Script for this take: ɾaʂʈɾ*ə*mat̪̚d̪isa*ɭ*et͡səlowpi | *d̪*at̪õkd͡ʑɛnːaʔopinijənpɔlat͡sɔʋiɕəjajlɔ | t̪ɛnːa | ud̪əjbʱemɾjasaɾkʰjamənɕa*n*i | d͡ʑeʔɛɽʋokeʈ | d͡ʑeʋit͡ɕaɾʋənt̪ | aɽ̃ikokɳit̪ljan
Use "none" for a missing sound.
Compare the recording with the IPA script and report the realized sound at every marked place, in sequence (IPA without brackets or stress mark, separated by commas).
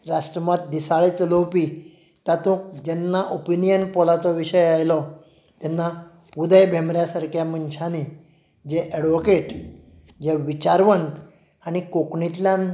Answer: ə, ɭ, t̪, n